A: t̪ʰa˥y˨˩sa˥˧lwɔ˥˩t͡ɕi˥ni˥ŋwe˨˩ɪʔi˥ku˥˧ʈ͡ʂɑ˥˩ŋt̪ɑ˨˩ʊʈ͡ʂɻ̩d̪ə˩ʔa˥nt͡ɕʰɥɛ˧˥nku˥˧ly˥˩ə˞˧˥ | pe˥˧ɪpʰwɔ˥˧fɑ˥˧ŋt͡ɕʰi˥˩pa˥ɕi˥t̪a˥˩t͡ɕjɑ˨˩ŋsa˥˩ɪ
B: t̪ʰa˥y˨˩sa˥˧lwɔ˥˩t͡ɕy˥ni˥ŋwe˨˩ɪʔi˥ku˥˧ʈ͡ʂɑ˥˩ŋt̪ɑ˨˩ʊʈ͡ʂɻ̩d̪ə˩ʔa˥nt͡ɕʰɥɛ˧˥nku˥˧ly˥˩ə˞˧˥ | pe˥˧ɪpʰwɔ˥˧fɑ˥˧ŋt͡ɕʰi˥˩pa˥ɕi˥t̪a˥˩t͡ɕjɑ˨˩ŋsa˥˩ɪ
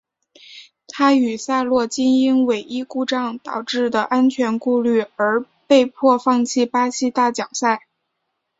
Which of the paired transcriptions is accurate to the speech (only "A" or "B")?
A